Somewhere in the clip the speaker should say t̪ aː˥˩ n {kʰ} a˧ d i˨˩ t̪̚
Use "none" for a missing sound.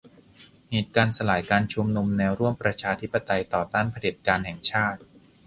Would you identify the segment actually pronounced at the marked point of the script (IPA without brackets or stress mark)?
pʰ